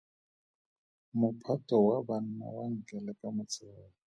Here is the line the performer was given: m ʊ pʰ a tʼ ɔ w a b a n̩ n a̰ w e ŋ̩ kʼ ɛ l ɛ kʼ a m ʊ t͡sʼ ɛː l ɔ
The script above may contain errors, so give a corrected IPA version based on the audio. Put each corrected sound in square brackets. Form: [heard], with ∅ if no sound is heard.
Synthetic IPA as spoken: m ʊ pʰ a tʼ ɔ w a b a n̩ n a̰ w [a] ŋ̩ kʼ ɛ l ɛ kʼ a m ʊ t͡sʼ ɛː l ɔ